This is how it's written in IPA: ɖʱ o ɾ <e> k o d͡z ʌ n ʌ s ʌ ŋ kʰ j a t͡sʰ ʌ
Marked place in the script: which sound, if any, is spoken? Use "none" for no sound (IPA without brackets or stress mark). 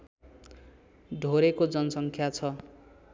e